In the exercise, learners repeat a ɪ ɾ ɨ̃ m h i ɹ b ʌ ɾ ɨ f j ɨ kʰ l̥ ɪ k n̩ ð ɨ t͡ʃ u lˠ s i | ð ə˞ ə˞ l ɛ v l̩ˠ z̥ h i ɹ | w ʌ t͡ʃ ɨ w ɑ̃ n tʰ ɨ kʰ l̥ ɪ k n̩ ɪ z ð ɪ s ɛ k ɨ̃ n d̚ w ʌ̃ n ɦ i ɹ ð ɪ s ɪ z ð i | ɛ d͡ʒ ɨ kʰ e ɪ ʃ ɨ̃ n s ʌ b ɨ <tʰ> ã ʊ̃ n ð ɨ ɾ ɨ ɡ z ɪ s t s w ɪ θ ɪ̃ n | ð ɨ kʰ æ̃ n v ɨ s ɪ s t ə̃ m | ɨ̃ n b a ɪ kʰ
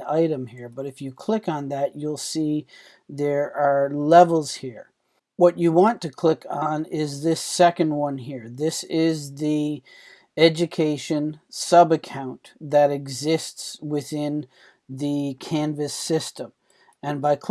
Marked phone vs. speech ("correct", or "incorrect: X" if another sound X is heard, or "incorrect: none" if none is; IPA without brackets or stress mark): incorrect: kʰ